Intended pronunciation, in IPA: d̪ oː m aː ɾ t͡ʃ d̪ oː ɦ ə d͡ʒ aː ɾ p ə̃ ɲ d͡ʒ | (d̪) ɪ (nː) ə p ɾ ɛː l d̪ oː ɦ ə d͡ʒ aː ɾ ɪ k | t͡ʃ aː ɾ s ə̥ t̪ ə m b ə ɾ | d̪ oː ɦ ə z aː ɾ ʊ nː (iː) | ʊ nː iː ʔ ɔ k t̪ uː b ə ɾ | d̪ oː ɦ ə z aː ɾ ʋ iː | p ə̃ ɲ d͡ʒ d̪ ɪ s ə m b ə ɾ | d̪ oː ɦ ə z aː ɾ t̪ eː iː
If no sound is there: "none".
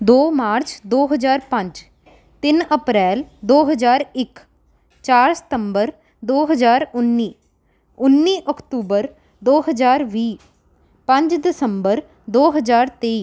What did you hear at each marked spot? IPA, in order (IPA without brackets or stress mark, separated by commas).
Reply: t̪, n, iː